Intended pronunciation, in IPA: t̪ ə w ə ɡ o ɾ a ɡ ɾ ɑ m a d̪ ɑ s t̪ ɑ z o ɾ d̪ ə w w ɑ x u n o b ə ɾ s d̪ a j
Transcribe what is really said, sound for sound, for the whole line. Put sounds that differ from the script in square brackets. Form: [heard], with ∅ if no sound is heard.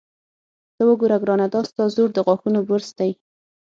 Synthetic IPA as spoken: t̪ ə w ə ɡ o ɾ a ɡ ɾ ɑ [n] a d̪ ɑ s t̪ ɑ z o ɾ d̪ ə [ɣ] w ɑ x u n o b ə ɾ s d̪ a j